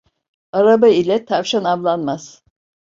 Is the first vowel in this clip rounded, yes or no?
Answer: no